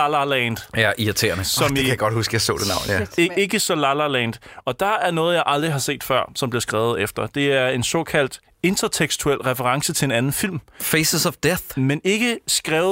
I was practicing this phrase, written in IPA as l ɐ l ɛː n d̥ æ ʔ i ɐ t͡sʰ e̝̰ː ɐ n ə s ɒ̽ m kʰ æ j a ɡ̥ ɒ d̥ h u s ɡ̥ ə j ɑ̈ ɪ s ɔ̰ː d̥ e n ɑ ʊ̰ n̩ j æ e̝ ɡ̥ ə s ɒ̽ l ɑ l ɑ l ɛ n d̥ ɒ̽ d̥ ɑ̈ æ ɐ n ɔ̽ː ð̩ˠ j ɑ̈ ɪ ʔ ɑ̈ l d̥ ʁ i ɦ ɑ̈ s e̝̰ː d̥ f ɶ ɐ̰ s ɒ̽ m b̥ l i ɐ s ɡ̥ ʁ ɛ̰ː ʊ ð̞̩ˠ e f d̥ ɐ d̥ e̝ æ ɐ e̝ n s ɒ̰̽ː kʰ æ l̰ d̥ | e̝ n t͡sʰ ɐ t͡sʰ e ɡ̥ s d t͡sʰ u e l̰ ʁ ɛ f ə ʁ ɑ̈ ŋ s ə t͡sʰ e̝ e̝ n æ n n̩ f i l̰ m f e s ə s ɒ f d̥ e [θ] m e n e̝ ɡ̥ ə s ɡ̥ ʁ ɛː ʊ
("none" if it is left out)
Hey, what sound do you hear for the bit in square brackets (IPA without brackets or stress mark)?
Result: θ